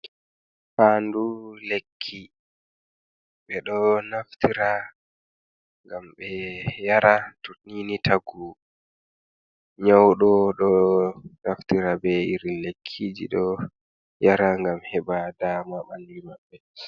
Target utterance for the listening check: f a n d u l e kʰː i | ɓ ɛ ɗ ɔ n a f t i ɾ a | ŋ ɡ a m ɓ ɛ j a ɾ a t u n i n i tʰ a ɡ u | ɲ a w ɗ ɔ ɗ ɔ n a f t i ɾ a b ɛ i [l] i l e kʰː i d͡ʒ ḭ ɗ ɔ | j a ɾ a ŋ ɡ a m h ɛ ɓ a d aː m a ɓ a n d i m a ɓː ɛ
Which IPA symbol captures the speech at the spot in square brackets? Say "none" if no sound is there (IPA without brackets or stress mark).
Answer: ɾ